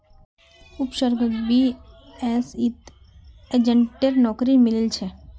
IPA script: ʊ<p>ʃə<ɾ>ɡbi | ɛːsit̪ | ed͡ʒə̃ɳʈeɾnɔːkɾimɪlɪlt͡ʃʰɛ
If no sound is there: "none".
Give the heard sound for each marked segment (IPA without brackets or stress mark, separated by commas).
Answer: p, ɾ